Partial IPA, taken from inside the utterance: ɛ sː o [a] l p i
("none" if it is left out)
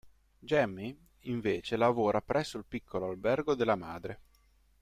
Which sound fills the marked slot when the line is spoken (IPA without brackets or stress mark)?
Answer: i